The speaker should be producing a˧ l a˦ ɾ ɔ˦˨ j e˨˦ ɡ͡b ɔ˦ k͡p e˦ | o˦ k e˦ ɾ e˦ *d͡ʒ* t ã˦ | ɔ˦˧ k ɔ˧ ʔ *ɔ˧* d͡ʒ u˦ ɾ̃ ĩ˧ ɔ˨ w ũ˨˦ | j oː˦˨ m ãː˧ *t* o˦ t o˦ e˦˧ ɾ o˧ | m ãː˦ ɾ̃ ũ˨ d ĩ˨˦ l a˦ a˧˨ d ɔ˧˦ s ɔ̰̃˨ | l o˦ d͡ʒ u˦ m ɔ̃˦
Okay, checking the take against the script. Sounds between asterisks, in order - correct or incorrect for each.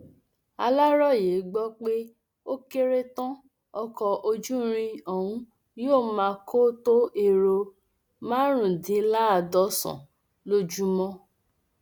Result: incorrect: none, incorrect: o˧, incorrect: k

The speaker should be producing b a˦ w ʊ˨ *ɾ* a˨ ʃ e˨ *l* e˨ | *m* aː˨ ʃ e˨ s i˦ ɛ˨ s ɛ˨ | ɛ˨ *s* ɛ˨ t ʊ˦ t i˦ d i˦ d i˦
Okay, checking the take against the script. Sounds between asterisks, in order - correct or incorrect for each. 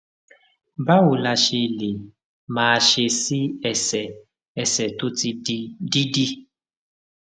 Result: incorrect: l, correct, correct, correct

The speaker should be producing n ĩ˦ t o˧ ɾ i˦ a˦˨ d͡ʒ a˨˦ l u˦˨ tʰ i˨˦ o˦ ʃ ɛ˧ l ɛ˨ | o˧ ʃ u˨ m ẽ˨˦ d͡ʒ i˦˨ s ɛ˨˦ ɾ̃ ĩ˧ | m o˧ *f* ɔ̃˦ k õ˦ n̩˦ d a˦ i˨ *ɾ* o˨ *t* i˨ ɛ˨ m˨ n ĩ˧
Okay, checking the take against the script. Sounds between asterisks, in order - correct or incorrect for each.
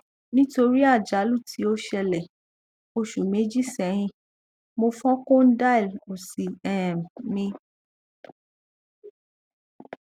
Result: correct, incorrect: l, incorrect: s

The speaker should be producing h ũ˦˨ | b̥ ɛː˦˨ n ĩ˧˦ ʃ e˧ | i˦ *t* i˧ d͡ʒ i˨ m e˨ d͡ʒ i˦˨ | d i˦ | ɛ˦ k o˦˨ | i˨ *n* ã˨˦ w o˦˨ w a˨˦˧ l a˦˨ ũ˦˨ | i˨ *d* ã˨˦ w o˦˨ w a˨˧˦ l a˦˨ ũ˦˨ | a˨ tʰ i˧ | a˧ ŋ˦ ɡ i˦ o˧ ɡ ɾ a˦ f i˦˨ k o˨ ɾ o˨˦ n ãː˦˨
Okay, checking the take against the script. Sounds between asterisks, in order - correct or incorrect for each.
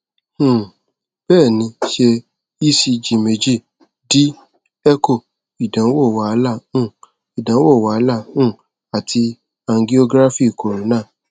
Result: incorrect: s, incorrect: d, correct

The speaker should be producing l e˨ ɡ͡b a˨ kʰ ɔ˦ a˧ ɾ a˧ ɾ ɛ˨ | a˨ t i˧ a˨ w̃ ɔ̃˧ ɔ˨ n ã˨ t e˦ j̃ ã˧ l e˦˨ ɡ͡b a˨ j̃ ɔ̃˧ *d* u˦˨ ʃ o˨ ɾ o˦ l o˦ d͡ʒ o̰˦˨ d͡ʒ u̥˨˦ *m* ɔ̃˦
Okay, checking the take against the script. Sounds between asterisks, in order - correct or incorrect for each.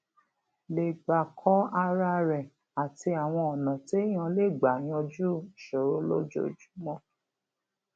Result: incorrect: d͡ʒ, correct

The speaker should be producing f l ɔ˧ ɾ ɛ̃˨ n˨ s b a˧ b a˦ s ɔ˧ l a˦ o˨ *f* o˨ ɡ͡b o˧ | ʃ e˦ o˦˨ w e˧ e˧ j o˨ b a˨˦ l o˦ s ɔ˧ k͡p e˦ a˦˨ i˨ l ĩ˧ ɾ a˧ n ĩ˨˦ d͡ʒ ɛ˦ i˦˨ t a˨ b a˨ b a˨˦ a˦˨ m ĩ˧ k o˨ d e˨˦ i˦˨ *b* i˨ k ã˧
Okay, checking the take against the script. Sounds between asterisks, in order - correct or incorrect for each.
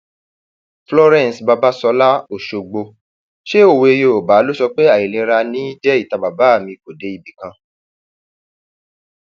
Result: incorrect: ʃ, correct

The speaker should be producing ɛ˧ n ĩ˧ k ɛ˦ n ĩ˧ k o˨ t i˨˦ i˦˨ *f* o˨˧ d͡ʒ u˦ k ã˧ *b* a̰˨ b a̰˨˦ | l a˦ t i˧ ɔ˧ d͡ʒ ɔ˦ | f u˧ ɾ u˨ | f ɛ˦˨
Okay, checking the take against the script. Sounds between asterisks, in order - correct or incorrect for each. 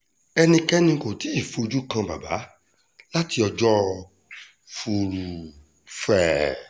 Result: correct, correct

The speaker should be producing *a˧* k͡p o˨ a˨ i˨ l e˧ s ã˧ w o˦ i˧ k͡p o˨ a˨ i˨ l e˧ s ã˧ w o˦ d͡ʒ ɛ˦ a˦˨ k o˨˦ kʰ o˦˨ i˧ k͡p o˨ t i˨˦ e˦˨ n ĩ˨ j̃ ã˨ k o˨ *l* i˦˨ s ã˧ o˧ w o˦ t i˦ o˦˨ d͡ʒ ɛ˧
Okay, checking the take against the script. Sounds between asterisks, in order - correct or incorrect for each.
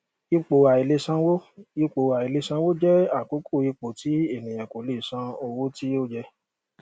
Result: incorrect: i˧, correct

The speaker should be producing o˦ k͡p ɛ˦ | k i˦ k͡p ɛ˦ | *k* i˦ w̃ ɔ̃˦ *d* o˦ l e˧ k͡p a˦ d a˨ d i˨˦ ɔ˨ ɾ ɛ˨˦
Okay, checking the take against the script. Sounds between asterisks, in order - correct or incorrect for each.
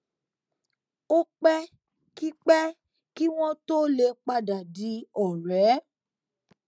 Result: correct, incorrect: t

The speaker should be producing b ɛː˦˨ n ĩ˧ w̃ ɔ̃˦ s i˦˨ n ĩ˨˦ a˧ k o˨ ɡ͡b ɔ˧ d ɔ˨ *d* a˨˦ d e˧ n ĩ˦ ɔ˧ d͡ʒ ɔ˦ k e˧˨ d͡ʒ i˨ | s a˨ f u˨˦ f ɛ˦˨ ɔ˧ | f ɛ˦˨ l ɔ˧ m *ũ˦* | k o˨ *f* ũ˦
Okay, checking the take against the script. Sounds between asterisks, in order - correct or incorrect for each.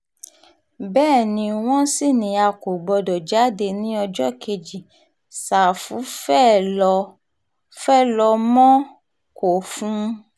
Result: incorrect: d͡ʒ, incorrect: ɔ̃˦, correct

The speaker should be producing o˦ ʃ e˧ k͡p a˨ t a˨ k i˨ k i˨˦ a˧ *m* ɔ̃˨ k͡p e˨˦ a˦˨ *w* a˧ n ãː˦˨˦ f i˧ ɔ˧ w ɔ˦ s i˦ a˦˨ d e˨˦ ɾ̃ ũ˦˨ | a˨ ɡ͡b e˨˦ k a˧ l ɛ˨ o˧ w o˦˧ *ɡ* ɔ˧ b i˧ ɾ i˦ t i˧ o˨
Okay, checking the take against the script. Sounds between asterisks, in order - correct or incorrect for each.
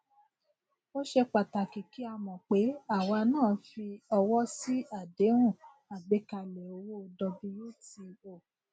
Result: correct, correct, incorrect: d

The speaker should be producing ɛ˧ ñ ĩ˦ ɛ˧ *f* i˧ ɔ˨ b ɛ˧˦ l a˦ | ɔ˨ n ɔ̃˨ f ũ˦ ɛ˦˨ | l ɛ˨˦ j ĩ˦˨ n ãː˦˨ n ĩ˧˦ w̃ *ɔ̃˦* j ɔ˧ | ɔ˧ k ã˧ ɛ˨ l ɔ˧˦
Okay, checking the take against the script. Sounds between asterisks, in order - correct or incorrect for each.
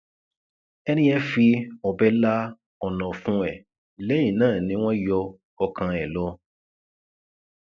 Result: correct, correct

